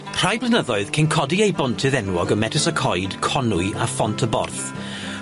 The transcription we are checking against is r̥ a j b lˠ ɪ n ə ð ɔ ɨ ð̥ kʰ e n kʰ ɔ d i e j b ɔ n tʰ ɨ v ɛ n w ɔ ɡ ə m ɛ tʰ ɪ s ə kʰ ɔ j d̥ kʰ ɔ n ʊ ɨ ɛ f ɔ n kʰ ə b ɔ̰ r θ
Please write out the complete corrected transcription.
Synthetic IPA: r̥ a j b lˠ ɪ n ə ð ɔ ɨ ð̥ kʰ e n kʰ ɔ d i e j b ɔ n tʰ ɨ ð ɛ n w ɔ ɡ ə m ɛ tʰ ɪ s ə kʰ ɔ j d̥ kʰ ɔ n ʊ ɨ a f ɔ n tʰ ə b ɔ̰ r θ